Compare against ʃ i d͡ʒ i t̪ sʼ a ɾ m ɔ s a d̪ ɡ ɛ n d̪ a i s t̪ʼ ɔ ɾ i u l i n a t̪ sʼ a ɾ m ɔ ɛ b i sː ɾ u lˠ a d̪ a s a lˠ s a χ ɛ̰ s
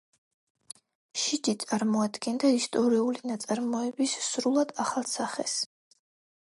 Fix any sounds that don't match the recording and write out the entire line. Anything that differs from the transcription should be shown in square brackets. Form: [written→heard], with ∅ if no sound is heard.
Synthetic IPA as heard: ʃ i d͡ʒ i t̪ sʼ a ɾ m ɔ [s→∅] a d̪ ɡ ɛ n d̪ a i s t̪ʼ ɔ ɾ i u l i n a t̪ sʼ a ɾ m ɔ ɛ b i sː ɾ u lˠ a d̪ a [s→χ] a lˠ s a χ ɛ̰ s